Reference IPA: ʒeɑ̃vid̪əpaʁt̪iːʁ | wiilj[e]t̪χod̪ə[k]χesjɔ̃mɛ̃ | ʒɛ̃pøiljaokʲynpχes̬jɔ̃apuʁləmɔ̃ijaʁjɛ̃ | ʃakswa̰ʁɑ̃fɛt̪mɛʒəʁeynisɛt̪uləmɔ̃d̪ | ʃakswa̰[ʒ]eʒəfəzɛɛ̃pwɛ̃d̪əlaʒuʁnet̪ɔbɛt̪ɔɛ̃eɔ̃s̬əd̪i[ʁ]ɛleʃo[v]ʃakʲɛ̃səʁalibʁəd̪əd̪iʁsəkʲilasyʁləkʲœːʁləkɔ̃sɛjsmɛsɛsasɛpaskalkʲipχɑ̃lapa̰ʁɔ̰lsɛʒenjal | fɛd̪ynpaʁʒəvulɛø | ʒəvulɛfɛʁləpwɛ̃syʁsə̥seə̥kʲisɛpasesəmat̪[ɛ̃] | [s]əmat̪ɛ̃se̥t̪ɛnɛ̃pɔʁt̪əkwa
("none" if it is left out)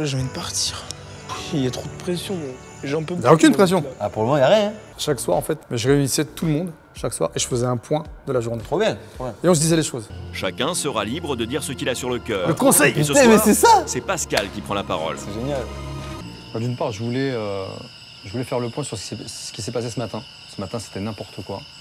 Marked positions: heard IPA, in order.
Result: a, p, ʁ, z, z, ɛ̃, s

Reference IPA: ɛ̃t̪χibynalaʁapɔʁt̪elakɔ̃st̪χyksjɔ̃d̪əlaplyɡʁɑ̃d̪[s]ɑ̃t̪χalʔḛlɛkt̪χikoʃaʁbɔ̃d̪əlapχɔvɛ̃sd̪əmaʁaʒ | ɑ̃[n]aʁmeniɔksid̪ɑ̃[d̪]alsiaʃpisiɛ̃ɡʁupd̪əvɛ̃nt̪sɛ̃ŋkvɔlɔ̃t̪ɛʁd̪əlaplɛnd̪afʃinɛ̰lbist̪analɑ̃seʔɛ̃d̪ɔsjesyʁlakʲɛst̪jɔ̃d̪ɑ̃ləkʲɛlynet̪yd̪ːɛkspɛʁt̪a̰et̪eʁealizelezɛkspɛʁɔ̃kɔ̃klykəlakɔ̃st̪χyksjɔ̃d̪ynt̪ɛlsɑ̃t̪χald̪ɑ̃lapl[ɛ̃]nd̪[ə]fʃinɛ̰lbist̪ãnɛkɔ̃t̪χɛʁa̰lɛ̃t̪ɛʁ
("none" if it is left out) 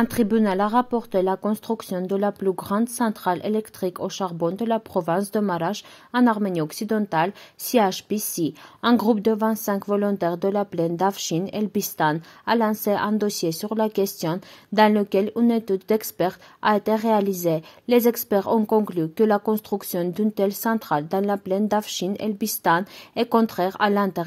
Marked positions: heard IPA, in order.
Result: s, n, t̪, ɛ, a

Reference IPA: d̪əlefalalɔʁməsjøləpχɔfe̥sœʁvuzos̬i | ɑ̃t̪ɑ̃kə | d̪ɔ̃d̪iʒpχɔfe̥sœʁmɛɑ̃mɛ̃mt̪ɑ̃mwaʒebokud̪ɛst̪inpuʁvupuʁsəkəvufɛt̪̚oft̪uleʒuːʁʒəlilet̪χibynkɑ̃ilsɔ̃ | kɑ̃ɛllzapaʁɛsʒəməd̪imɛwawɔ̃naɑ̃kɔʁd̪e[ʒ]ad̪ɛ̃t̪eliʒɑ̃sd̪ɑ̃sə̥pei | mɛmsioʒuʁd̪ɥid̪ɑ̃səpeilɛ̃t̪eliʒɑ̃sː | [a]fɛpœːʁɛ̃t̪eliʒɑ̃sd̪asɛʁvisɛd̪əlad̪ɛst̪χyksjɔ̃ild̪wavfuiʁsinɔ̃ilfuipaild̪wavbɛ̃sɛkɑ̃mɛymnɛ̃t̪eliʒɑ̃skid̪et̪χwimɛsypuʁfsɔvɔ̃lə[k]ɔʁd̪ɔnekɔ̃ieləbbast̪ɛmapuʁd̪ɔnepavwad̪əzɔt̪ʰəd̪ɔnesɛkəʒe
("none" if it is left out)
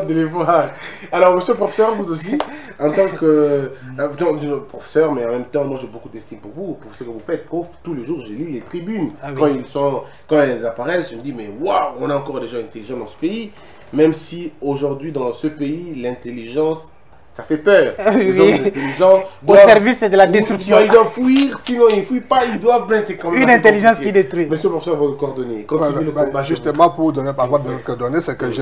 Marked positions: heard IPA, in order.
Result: ʒ, a, k

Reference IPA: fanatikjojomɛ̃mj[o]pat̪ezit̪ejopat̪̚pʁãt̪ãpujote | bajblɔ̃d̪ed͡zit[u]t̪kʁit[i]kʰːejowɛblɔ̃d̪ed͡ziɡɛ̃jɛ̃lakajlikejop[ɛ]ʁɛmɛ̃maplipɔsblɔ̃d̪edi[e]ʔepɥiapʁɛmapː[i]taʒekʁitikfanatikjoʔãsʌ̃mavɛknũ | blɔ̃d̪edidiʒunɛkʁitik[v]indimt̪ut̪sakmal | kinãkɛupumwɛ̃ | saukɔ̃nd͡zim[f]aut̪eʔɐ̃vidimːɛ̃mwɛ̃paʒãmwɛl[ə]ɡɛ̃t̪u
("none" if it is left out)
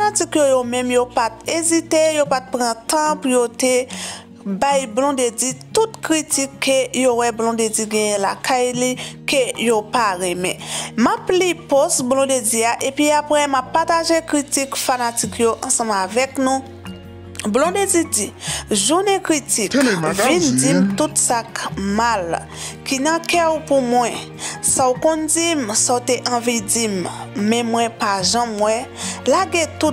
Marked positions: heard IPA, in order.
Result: o, u, i, a, a, a, v, s, a

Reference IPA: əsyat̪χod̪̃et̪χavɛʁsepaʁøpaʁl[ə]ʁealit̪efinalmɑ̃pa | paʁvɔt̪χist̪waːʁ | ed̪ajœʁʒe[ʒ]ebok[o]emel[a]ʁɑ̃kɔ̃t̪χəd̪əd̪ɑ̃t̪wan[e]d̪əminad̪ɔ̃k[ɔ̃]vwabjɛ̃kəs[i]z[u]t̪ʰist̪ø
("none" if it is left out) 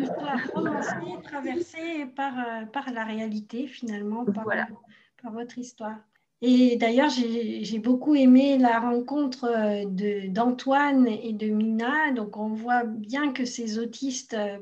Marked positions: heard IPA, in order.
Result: a, ʒ, u, a, e, ɔ̃, e, o

